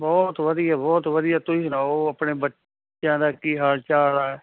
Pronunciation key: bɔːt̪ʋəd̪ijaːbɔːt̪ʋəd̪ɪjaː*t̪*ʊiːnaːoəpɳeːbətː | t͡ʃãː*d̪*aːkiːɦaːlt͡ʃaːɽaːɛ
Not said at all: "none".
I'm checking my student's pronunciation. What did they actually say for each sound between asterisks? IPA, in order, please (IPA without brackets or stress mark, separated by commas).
t̪, d̪